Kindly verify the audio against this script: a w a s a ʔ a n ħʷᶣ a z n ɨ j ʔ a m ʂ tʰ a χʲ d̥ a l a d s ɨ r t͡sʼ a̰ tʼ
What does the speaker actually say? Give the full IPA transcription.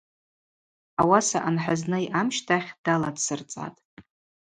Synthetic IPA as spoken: a w a s a ʔ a n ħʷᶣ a z n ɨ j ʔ a m ʃ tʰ a χʲ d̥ a l a d s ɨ r t͡sʼ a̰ tʼ